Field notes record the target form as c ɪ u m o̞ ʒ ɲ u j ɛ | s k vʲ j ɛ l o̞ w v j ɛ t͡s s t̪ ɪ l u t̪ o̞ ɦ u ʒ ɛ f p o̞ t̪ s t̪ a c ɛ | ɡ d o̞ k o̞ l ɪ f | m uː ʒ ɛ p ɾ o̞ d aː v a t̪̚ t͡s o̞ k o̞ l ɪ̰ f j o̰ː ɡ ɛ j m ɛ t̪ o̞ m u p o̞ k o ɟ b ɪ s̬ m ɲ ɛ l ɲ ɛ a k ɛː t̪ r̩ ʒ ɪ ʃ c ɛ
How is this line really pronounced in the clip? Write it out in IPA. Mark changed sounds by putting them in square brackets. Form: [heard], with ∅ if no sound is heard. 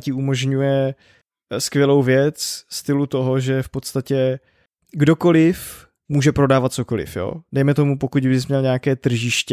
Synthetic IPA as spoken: c ɪ u m o̞ ʒ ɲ u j ɛ | s k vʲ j ɛ l o̞ w v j ɛ t͡s s t̪ ɪ l u t̪ o̞ ɦ [o] ʒ ɛ f p o̞ t̪ s t̪ a c ɛ | ɡ d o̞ k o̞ l ɪ f | m uː ʒ ɛ p ɾ o̞ d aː v a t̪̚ t͡s o̞ k o̞ l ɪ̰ f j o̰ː [d] ɛ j m ɛ t̪ o̞ m u p o̞ k [u] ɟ b ɪ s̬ m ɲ ɛ l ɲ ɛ a k ɛː t̪ r̩ ʒ ɪ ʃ c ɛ